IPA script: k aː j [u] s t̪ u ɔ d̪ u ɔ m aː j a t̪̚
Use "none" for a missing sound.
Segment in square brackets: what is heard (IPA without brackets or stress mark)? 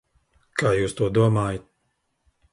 uː